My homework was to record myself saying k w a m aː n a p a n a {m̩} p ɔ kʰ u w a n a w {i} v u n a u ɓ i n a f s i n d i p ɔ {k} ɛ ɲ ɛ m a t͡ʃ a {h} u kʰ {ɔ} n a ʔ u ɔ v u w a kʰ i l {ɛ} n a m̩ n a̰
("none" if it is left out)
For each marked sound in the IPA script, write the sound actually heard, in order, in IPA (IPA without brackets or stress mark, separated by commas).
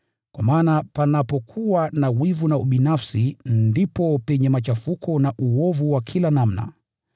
none, i, p, f, ɔ, a